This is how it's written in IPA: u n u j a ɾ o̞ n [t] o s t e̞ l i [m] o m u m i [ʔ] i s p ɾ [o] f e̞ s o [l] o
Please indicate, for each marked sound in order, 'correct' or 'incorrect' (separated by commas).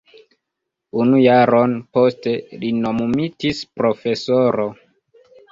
incorrect, incorrect, incorrect, correct, incorrect